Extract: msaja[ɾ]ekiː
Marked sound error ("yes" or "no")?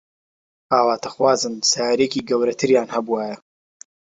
no